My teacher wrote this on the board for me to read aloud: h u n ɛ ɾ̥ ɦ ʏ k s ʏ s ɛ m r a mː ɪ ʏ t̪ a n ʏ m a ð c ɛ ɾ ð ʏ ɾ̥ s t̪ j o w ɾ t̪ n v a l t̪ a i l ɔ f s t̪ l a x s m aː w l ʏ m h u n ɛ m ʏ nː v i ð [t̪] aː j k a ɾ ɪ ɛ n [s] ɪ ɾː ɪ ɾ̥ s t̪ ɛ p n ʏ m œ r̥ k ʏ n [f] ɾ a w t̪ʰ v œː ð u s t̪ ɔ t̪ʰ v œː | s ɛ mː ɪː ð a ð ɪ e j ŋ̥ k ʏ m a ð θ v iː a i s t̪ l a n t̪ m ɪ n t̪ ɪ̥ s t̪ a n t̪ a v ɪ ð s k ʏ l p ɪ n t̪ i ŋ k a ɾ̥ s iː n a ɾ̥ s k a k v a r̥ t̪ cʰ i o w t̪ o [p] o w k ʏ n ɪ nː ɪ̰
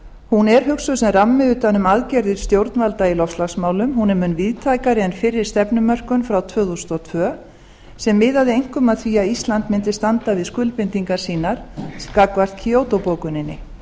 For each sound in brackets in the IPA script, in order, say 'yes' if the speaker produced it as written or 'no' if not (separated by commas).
no, no, yes, yes